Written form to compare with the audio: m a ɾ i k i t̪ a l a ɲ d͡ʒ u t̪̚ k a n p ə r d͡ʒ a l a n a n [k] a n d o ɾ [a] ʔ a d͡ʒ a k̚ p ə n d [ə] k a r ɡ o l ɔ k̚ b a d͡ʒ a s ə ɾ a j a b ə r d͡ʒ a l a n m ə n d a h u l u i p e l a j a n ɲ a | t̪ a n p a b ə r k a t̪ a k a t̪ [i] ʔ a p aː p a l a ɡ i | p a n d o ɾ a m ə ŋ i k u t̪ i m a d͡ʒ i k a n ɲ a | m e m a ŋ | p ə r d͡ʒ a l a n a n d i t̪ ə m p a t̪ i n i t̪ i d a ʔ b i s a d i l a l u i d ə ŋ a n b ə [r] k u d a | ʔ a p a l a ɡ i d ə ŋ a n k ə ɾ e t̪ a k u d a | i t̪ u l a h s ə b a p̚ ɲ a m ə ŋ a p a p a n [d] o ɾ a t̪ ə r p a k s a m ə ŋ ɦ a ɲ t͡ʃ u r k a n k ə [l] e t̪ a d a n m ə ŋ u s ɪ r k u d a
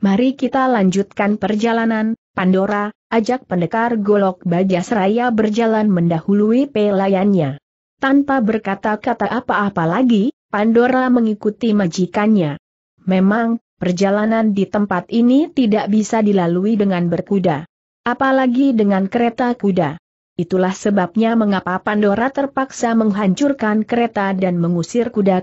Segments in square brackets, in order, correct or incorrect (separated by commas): incorrect, correct, correct, incorrect, correct, correct, incorrect